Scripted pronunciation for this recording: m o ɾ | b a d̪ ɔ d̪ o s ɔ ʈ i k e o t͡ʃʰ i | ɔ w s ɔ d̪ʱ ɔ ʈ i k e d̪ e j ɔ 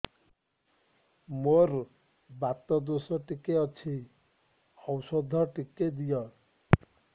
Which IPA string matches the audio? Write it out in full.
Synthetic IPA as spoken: m o ɾ | b a t̪ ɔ d̪ o s ɔ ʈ i k e ɔ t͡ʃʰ i | ɔ w s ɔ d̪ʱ ɔ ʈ i k e d̪ i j ɔ

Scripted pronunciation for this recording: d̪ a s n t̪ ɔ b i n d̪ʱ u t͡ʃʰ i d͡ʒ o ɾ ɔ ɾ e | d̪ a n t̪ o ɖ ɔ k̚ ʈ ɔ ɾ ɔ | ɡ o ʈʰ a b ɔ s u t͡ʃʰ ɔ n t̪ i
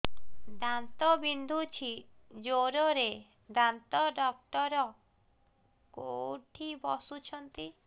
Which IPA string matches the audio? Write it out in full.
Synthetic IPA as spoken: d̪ a n t̪ ɔ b i n d̪ʱ u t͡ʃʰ i d͡ʒ o ɾ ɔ ɾ e | d̪ a n t̪ ɔ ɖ ɔ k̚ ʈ ɔ ɾ ɔ | k o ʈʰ i b ɔ s u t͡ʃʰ ɔ n t̪ i

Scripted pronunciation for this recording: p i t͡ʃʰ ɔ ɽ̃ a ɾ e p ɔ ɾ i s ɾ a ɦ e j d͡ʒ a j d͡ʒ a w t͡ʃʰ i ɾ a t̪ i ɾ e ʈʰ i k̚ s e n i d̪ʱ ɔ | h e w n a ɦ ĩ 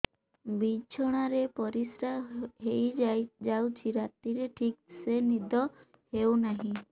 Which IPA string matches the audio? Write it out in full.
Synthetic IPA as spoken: b i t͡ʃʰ ɔ ɽ̃ a ɾ e p ɔ ɾ i s ɾ a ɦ e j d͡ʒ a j d͡ʒ a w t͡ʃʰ i ɾ a t̪ i ɾ e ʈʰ i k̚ s e n i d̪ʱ ɔ | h e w n a ɦ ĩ

